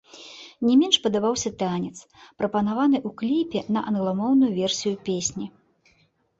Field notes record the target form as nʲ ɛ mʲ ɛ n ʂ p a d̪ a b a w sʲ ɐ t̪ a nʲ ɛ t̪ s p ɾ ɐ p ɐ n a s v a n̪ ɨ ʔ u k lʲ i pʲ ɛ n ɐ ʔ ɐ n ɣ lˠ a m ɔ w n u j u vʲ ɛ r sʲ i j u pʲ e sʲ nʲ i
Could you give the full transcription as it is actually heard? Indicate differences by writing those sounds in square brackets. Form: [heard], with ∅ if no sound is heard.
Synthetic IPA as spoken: nʲ ɛ mʲ ɛ n ʂ p [ɐ] d̪ a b a w sʲ ɐ t̪ a nʲ ɛ t̪ s p ɾ ɐ p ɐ n a [∅] v a n̪ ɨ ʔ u k lʲ i pʲ ɛ n ɐ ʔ ɐ n ɣ lˠ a m ɔ w n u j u vʲ ɛ r sʲ i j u pʲ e sʲ nʲ i

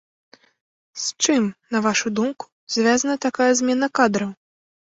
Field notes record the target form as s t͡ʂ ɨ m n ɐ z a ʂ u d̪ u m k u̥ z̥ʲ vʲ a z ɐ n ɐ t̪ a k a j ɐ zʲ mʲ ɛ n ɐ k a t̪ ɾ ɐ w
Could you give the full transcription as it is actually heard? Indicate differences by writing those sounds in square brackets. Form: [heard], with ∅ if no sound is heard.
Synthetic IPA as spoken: s t͡ʂ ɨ m n ɐ [v] a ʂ u d̪ u m k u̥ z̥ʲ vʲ a z ɐ n ɐ t̪ a k a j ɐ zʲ mʲ ɛ n ɐ k a [d̪] ɾ ɐ w

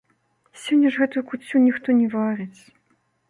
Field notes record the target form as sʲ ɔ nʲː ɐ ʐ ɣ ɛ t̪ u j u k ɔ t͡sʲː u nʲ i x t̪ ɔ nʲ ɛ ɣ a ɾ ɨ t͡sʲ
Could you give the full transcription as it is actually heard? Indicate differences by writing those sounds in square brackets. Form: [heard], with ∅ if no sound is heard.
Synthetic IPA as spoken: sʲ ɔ nʲː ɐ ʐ ɣ ɛ t̪ u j u k [u] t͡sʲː u nʲ i x t̪ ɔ nʲ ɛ [v] a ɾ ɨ t͡sʲ

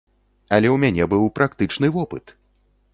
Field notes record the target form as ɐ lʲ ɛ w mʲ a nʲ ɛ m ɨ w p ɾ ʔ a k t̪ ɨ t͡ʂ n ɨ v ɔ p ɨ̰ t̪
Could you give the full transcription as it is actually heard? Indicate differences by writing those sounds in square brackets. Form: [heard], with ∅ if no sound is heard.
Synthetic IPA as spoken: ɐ lʲ ɛ w mʲ a nʲ ɛ [b] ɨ w p ɾ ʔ a k t̪ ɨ t͡ʂ n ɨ v ɔ p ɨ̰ t̪

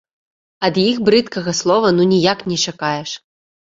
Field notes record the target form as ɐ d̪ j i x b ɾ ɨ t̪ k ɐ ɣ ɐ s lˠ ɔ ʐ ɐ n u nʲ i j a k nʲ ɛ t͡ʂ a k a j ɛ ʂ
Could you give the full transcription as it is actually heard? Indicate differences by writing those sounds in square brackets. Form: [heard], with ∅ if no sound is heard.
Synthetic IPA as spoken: ɐ d̪ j i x b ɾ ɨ t̪ k ɐ ɣ ɐ s lˠ ɔ [v] ɐ n u nʲ i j a k nʲ ɛ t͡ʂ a k a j ɛ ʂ

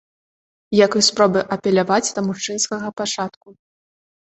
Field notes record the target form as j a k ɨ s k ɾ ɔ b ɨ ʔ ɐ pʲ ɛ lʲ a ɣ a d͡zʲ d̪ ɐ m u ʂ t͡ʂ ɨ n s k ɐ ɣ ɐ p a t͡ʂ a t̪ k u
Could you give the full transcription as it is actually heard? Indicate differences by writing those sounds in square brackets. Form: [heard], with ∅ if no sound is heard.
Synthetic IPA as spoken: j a k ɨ s [p] ɾ ɔ b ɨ ʔ ɐ pʲ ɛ lʲ a [v] a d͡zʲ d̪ ɐ m u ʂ t͡ʂ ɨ n s k ɐ ɣ ɐ p a t͡ʂ a t̪ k u

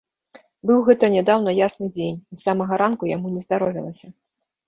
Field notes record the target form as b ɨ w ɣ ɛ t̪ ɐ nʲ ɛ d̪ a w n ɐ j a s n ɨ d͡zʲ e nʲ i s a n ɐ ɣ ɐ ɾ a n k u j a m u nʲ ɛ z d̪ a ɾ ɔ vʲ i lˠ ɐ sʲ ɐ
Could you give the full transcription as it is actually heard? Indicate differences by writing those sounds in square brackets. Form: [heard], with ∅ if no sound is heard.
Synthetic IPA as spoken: b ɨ w ɣ ɛ t̪ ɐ nʲ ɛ d̪ a w n ɐ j a s n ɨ d͡zʲ e nʲ i s a [m] ɐ ɣ ɐ ɾ a n k u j a m u nʲ ɛ z d̪ a ɾ ɔ vʲ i lˠ ɐ sʲ ɐ

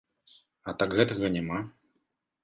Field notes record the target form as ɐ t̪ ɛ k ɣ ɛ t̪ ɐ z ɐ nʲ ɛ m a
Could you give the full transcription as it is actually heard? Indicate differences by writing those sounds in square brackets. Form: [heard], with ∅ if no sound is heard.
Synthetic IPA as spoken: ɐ t̪ [a] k ɣ ɛ t̪ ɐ [ɣ] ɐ nʲ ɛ m a

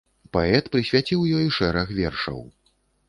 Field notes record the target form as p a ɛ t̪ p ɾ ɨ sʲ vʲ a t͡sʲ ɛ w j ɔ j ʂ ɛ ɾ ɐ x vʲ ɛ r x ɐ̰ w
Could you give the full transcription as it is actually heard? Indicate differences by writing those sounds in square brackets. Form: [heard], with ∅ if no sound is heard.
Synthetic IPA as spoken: p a ɛ t̪ p ɾ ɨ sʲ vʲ a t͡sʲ [i] w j ɔ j ʂ ɛ ɾ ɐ x vʲ ɛ r [ʂ] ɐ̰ w

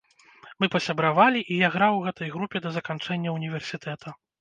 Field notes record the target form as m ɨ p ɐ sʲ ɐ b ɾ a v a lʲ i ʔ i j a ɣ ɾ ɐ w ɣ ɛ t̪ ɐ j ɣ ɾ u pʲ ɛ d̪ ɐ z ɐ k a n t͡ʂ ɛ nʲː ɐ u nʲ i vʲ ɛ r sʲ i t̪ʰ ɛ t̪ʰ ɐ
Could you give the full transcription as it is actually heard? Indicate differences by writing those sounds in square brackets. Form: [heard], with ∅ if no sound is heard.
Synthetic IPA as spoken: m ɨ p ɐ sʲ ɐ b ɾ a v a lʲ i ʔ i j a ɣ ɾ [a] w ɣ ɛ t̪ ɐ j ɣ ɾ u pʲ ɛ d̪ ɐ z ɐ k a n t͡ʂ ɛ nʲː ɐ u nʲ i vʲ ɛ r sʲ i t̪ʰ ɛ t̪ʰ ɐ

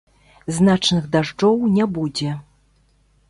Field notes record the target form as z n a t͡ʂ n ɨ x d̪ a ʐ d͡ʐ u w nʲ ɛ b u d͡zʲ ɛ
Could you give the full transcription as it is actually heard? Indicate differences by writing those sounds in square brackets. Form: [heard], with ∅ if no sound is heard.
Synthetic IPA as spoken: z n a t͡ʂ n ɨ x d̪ a ʐ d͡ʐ [ɔ] w nʲ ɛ b u d͡zʲ ɛ

